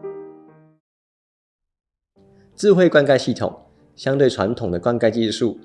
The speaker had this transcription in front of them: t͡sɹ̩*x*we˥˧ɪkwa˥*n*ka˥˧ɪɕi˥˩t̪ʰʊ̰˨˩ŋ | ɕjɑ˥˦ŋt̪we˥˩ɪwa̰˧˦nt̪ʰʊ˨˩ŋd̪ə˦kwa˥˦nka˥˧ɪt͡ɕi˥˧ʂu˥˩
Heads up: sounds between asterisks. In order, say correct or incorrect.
correct, correct

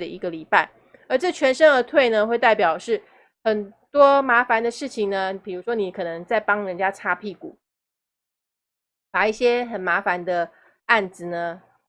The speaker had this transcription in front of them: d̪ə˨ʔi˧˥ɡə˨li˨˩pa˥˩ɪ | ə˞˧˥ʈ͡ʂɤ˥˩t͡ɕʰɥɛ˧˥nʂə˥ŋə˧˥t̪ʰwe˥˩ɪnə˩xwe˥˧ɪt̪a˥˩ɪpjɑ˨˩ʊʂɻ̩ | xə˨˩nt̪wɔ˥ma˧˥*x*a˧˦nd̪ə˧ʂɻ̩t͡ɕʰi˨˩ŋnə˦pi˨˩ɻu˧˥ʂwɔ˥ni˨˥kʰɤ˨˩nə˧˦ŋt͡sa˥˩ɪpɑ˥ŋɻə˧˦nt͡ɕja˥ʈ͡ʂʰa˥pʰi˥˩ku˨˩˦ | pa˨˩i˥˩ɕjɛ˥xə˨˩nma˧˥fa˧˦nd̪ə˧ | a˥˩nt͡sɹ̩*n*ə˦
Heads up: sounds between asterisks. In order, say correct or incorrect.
incorrect: f, correct

